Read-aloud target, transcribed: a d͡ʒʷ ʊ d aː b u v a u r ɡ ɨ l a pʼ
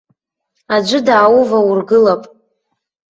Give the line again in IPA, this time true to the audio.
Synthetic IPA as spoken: a d͡ʒʷ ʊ d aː w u v a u r ɡ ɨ l a pʼ